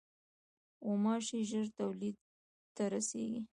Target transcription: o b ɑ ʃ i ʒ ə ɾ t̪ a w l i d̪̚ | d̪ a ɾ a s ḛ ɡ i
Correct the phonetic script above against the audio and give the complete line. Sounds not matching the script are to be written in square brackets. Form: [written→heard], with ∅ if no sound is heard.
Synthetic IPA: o [b→m] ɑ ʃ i ʒ ə ɾ t̪ a w l i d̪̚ | [d̪→t̪] a ɾ a s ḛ ɡ i